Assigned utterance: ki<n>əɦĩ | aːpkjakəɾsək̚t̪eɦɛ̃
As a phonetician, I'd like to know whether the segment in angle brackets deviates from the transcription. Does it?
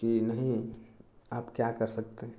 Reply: no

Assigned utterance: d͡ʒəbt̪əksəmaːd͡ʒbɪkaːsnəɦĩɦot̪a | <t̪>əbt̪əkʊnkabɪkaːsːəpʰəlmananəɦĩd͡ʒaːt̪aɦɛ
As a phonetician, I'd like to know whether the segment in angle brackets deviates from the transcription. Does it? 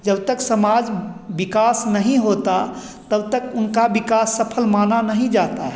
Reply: no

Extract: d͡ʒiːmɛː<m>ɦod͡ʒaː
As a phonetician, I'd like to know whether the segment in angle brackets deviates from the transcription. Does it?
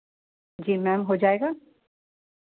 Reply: no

